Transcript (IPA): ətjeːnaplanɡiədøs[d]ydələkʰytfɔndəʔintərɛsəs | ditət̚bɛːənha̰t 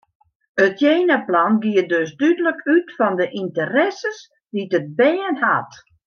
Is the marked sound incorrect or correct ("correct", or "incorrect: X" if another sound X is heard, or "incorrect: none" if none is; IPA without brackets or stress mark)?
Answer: correct